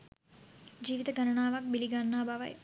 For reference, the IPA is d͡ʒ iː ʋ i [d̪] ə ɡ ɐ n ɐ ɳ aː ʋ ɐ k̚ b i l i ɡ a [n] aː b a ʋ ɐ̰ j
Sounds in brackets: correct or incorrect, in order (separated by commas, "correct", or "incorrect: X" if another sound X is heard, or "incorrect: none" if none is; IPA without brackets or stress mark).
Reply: incorrect: t̪, incorrect: nː